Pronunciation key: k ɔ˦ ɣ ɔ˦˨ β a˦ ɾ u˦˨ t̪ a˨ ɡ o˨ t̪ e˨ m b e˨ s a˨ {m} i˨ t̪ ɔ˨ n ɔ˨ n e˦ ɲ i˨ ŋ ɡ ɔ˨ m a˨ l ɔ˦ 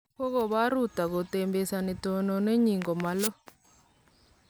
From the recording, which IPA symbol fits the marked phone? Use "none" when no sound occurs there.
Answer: n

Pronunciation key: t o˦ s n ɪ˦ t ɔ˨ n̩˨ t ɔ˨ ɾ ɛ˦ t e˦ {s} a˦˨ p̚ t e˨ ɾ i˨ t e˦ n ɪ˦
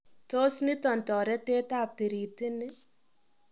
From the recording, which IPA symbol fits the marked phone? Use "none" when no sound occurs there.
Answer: t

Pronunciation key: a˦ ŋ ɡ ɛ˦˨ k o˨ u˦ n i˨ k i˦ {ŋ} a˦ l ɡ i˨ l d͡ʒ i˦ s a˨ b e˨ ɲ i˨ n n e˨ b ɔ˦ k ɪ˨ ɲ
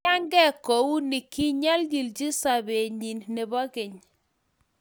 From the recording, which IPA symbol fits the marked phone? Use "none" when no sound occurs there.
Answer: ɲ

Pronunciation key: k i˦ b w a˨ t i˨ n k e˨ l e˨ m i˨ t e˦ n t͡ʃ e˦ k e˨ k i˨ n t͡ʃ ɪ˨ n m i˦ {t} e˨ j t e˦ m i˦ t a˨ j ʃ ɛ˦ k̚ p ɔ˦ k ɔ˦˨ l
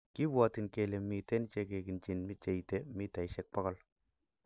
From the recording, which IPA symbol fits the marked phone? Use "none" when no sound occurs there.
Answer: t͡ʃ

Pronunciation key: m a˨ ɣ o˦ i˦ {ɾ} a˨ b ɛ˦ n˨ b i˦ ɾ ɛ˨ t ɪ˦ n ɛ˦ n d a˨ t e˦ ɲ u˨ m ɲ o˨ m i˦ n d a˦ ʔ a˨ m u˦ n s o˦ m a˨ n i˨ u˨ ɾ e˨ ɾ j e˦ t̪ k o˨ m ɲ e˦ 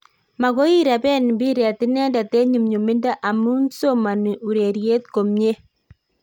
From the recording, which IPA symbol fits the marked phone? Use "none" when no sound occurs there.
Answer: ɾ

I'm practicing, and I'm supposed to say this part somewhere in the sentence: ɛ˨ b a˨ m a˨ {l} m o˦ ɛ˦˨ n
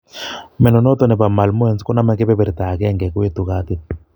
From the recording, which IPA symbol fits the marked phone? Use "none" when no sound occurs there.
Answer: l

